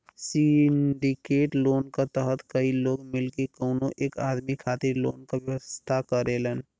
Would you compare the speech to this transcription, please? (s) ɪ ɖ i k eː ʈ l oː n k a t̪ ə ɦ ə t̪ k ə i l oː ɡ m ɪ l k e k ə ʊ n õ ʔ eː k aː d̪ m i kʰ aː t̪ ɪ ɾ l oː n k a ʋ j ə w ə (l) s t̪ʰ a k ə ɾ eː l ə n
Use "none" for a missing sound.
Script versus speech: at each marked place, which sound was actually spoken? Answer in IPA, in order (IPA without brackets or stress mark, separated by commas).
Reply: s, none